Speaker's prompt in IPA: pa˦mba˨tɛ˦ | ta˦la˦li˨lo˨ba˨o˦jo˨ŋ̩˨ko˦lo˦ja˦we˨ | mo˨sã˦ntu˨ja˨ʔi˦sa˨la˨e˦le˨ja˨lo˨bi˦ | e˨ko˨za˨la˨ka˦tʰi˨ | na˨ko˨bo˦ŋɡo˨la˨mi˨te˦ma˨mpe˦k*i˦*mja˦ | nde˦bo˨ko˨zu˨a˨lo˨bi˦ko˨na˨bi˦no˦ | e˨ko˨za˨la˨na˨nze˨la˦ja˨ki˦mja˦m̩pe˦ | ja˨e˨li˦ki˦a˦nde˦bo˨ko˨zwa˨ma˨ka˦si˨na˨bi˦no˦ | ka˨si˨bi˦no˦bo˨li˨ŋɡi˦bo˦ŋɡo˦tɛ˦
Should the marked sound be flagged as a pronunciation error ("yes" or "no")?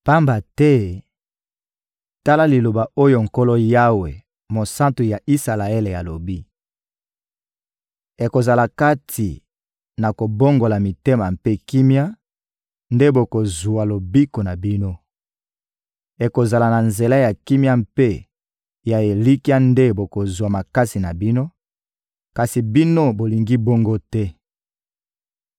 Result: no